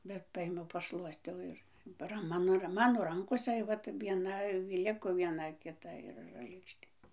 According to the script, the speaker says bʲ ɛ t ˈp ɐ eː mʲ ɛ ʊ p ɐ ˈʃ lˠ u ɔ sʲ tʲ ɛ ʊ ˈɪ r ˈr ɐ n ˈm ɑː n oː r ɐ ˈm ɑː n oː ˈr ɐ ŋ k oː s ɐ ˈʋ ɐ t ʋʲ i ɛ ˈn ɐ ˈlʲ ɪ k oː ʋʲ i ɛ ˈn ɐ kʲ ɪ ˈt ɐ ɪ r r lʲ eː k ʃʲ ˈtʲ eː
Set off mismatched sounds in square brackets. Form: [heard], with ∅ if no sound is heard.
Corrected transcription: bʲ ɛ t ˈp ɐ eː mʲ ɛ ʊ p ɐ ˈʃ lˠ u ɔ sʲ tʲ ɛ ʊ ˈɪ r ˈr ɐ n ˈm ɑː n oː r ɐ ˈm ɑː n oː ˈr ɐ ŋ k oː s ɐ ˈʋ ɐ t ʋʲ i ɛ ˈn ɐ ˈlʲ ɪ k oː ʋʲ i ɛ ˈn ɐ kʲ ɪ ˈt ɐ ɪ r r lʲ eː k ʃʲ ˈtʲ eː